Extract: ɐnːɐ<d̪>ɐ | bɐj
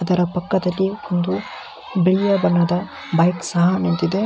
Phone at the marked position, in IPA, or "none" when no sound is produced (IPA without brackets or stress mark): d̪